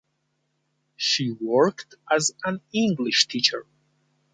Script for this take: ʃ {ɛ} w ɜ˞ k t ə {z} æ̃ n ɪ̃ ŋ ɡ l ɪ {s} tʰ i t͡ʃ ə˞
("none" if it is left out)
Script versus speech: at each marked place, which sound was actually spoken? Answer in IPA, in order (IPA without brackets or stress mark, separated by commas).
i, z, ʃ